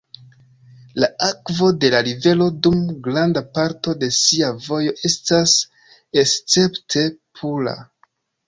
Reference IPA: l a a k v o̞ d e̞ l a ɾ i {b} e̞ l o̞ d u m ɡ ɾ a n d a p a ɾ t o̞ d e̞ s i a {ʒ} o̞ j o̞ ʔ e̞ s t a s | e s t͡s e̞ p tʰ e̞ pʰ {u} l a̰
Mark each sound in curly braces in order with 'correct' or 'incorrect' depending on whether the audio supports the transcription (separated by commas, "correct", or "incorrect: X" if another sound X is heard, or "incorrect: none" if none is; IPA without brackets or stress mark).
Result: incorrect: v, incorrect: v, correct